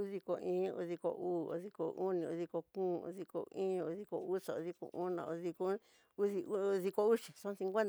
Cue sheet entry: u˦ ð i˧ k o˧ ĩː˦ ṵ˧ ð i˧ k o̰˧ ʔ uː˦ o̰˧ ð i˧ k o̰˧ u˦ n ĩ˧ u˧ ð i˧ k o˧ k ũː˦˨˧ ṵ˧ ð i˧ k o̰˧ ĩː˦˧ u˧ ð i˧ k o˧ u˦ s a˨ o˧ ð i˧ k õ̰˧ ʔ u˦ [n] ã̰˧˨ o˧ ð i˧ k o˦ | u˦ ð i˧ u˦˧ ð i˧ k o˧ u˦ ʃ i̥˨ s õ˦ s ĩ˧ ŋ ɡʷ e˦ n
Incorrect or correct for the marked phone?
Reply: correct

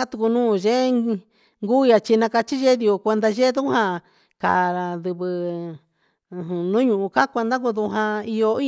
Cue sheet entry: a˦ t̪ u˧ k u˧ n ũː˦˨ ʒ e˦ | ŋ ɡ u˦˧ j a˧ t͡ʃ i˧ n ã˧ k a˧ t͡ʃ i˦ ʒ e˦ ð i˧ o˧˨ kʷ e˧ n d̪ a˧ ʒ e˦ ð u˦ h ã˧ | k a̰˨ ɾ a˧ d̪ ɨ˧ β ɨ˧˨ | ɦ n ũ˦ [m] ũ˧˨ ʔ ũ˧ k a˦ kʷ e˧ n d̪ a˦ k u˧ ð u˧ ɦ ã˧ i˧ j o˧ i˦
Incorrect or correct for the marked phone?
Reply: incorrect: ɲ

